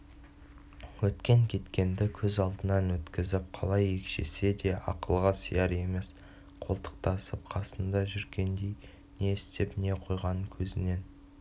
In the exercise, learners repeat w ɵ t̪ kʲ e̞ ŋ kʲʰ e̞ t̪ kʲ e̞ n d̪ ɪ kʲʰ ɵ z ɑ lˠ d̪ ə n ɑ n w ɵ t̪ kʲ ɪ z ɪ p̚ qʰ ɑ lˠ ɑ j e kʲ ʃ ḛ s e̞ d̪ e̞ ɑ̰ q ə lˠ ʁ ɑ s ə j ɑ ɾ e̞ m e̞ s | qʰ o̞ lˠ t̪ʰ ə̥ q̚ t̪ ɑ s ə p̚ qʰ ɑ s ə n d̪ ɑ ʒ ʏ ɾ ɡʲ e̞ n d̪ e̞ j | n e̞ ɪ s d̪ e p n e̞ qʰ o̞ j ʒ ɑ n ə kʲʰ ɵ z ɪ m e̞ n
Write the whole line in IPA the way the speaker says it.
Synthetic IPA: w ɵ t̪ kʲ e̞ ŋ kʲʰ e̞ t̪ kʲ e̞ n d̪ ɪ kʲʰ ɵ z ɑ lˠ d̪ ə n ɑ n w ɵ t̪ kʲ ɪ z ɪ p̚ qʰ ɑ lˠ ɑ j e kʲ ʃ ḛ s e̞ d̪ e̞ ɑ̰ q ə lˠ ʁ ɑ s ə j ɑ ɾ e̞ m e̞ s | qʰ o̞ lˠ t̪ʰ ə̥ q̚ t̪ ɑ s ə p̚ qʰ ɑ s ə n d̪ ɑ ʒ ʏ ɾ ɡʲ e̞ n d̪ e̞ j | n e̞ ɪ s t̪ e p n e̞ qʰ o̞ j ʁ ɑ n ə kʲʰ ɵ z ɪ n e̞ n